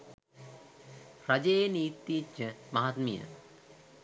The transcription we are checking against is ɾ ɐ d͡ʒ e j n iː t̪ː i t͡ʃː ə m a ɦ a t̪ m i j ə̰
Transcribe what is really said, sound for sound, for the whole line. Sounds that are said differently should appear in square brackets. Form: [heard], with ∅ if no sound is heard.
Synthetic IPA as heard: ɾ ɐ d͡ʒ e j n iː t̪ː i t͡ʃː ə m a ɦ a t̪ m i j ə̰